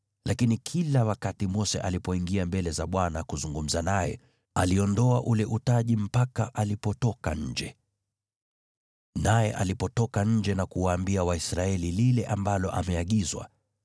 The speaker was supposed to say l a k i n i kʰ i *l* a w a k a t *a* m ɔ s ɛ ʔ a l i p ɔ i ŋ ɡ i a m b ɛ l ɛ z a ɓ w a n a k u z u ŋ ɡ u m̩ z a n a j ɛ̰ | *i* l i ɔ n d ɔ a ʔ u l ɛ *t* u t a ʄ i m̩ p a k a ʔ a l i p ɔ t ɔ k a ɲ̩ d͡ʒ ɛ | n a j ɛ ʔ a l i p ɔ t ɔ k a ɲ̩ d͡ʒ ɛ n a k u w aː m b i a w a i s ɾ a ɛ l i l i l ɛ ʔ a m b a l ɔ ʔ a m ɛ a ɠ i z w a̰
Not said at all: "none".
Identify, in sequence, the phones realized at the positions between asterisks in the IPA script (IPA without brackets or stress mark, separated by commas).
l, i, a, ʔ